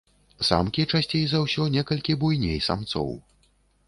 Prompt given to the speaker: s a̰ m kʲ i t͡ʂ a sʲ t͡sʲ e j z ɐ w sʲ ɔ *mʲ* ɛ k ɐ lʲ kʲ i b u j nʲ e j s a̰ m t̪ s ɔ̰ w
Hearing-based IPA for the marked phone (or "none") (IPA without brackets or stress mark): nʲ